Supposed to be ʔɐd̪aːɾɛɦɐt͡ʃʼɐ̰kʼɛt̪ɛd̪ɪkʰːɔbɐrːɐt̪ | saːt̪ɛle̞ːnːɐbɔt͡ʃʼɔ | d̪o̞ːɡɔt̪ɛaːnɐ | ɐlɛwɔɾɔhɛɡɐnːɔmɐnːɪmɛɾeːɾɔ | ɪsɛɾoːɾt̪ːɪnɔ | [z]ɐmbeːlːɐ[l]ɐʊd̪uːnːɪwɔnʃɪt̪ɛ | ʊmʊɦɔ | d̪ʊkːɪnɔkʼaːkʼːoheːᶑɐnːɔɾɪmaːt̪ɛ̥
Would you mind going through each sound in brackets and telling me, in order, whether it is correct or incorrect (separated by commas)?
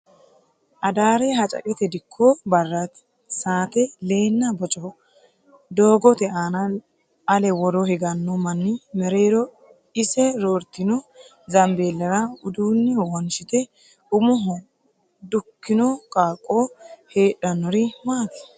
correct, incorrect